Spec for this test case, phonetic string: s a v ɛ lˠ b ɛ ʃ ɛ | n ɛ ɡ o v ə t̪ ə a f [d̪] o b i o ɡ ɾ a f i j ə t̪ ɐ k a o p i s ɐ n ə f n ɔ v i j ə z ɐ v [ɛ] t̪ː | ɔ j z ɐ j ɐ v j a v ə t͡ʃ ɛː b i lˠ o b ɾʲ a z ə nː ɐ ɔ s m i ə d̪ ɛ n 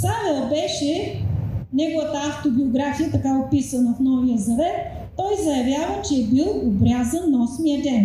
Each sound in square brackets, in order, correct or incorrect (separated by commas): incorrect, correct